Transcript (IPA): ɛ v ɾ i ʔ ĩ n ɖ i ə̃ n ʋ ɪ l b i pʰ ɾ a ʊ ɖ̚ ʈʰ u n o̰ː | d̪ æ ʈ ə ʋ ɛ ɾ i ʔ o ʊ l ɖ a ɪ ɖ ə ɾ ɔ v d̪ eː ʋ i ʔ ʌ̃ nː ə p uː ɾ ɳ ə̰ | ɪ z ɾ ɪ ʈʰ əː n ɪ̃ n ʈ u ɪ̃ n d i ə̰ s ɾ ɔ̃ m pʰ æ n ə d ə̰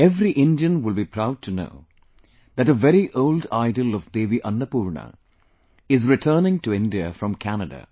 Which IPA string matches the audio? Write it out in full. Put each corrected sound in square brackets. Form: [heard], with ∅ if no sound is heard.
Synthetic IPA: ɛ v ɾ i ʔ [ɪ̃] n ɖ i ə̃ n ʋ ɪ l b i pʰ ɾ a ʊ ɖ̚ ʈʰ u n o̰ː | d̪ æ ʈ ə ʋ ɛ ɾ i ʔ o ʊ l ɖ a ɪ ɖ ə [l] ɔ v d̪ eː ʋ i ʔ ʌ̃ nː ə p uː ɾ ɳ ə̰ | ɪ z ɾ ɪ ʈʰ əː n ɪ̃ [ŋ] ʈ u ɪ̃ n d i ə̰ [f] ɾ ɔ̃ m [kʰ] æ n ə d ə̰